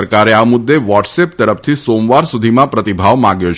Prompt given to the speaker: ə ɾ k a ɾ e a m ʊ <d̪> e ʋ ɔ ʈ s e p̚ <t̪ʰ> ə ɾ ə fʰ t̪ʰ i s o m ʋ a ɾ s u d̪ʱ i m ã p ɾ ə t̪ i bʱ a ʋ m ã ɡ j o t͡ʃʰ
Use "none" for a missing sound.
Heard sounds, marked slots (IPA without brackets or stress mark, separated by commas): d̪ː, t̪